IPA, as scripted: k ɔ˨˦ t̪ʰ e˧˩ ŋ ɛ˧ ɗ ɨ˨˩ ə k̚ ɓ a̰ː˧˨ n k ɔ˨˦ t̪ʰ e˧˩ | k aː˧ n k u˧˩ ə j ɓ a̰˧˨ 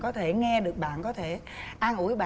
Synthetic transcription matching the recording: k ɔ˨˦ t̪ʰ e˧˩ ŋ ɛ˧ ɗ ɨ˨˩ ə k̚ ɓ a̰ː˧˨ n k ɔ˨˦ t̪ʰ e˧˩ | ʔ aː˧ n ʔ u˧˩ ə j ɓ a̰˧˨

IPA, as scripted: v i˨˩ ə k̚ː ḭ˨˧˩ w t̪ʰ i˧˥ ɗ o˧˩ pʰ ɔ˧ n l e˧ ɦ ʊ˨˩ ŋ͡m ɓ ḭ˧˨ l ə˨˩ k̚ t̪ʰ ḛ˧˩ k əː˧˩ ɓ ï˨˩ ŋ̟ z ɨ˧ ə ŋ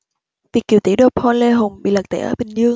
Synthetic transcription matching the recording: v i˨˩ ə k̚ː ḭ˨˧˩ w t̪ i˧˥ ɗ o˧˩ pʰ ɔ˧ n l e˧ ɦ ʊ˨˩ ŋ͡m ɓ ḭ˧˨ l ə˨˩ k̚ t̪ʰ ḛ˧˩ ʔ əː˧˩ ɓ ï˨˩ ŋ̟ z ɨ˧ ə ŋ

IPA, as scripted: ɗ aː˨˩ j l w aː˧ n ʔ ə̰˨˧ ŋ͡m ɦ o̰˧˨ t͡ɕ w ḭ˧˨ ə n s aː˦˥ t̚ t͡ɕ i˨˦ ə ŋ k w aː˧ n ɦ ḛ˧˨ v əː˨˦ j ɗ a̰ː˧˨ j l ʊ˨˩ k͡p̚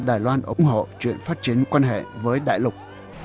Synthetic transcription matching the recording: ɗ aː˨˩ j l w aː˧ n ʔ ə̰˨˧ ŋ͡m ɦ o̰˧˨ t͡ɕ w ḭ˧˨ ə n f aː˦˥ t̚ t͡ɕ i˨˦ ə n k w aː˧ n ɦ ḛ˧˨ v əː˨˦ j ɗ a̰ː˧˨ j l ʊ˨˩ k͡p̚

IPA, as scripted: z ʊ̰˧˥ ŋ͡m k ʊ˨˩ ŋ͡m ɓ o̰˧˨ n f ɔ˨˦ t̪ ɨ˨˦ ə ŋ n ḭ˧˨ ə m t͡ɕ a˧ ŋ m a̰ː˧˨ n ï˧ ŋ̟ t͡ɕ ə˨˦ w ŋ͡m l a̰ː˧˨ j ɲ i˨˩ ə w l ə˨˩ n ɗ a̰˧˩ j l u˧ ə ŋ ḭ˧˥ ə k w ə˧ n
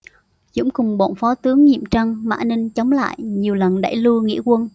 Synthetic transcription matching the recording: z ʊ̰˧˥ ŋ͡m k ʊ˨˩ ŋ͡m ɓ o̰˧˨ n f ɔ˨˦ t̪ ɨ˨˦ ə ŋ ɲ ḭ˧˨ ə m t͡ɕ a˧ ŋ m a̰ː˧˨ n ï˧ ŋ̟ t͡ɕ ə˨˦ w ŋ͡m l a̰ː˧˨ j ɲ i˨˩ ə w l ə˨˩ n ɗ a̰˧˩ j l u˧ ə ŋ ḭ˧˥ ə k w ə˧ n

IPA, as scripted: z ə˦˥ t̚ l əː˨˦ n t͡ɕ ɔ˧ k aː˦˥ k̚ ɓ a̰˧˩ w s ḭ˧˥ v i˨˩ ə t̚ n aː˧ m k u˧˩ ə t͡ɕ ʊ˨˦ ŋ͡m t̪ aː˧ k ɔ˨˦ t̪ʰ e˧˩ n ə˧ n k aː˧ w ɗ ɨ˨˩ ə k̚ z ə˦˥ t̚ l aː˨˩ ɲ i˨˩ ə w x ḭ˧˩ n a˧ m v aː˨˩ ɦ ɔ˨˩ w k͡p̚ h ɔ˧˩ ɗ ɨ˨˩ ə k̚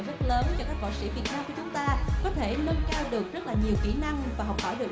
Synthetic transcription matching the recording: z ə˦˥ t̚ l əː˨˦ n t͡ɕ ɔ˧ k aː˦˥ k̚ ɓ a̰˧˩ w s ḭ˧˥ v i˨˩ ə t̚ n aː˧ m k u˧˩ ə t͡ɕ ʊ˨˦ ŋ͡m t̪ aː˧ k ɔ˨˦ t̪ʰ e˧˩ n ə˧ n k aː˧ w ɗ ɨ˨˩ ə k̚ z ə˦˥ t̚ l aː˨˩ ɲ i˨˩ ə w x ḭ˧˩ n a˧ ŋ v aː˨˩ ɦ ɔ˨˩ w k͡p̚ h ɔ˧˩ ɗ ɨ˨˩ ə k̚

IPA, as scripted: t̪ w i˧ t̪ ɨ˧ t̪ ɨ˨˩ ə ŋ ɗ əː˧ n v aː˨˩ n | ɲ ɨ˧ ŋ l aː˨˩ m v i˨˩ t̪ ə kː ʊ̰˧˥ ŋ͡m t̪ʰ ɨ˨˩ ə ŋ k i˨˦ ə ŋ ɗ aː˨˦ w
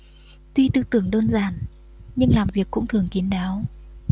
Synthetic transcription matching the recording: t̪ w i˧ t̪ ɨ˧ t̪ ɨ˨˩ ə ŋ ɗ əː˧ n z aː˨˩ n | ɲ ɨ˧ ŋ l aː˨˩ m v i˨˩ ə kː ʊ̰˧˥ ŋ͡m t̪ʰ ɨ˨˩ ə ŋ k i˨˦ ə n ɗ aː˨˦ w

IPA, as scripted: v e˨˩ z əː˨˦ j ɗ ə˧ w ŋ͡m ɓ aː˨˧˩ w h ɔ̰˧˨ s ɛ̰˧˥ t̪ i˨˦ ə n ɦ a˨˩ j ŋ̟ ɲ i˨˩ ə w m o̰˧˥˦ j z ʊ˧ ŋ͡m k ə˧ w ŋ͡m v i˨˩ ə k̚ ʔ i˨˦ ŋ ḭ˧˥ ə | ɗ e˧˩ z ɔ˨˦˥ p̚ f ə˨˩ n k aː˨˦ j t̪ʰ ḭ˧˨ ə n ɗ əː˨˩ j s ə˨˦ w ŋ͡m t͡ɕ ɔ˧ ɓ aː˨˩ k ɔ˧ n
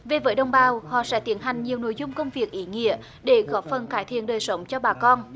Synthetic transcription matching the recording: v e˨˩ v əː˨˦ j ɗ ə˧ w ŋ͡m ɓ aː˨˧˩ w h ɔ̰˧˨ s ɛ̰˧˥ t̪ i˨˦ ə n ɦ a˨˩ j ŋ̟ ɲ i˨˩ ə w n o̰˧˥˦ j z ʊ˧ ŋ͡m k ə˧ w ŋ͡m v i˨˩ ə k̚ ʔ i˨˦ ŋ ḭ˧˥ ə | ɗ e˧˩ ɣ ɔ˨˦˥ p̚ f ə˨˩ n k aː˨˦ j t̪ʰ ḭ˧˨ ə n ɗ əː˨˩ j s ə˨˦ w ŋ͡m t͡ɕ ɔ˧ ɓ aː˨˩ k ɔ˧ n

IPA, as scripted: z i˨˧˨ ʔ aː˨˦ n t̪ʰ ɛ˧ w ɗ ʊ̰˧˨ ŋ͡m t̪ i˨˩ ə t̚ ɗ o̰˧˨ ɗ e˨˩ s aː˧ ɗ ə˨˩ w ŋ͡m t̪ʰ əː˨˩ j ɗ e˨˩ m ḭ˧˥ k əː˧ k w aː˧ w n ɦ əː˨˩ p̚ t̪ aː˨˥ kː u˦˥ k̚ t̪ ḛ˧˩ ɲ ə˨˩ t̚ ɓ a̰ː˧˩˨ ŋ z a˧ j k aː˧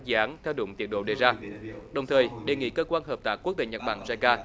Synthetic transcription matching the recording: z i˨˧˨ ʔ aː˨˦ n t̪ʰ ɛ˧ w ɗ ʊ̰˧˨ ŋ͡m t̪ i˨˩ ə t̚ ɗ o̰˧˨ ɗ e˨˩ z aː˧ ɗ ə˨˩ w ŋ͡m t̪ʰ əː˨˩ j ɗ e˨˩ ŋ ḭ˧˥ k əː˧ k w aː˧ n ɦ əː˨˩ p̚ t̪ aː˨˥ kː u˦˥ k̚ t̪ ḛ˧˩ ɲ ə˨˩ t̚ ɓ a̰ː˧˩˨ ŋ z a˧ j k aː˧

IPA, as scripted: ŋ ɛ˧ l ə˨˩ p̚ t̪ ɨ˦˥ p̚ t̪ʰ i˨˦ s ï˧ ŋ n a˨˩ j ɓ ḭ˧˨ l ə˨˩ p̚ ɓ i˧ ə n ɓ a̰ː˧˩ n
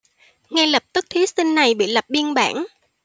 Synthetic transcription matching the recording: ŋ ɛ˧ l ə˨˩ p̚ t̪ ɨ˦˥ k̚ t̪ʰ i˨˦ s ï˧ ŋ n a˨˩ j ɓ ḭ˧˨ l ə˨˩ p̚ ɓ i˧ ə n ɓ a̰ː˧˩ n

